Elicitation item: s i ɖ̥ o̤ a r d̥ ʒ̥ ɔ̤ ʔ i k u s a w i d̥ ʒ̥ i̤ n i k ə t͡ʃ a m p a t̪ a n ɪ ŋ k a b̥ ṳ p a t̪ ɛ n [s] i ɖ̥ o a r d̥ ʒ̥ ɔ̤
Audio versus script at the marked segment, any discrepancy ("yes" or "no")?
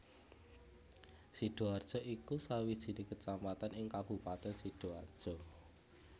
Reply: no